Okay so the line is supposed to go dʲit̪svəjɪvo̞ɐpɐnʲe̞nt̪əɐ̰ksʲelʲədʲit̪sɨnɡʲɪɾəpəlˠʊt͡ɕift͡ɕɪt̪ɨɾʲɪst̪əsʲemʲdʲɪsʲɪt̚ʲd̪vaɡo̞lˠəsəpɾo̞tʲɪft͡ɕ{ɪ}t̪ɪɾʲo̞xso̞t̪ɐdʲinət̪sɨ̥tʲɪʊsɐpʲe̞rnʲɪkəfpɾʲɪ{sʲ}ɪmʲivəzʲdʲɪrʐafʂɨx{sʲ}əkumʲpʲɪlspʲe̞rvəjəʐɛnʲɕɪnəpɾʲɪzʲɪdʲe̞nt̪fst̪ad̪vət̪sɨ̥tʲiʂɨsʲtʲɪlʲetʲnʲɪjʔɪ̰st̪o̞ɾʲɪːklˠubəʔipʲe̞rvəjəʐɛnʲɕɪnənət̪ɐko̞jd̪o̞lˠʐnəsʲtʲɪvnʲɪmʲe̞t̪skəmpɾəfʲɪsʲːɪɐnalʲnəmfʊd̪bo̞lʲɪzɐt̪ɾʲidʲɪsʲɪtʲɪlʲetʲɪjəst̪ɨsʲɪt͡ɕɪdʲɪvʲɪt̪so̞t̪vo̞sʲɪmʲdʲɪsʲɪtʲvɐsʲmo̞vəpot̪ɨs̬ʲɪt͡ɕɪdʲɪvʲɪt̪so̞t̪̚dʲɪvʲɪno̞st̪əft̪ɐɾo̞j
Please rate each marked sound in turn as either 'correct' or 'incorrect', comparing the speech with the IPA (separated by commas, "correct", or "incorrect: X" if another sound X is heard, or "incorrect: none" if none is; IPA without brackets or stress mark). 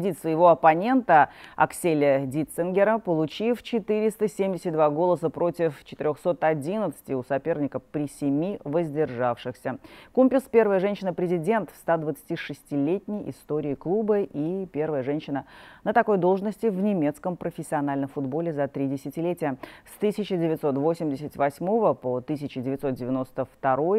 correct, correct, correct